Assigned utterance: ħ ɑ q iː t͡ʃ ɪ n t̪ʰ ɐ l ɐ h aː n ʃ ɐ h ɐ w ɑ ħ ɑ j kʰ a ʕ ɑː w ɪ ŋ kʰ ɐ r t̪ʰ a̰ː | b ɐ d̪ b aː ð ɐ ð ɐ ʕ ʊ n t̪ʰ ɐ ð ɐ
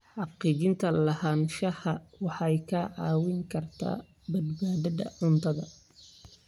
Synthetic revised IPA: ħ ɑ q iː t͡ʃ ɪ n t̪ʰ ɐ l ɐ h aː n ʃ ɐ h ɐ w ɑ ħ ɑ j kʰ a ʕ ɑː w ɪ ŋ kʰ ɐ r t̪ʰ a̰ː | b ɐ d̪ b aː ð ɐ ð ɐ ʕ ʊ n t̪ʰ ɐ ð ɐ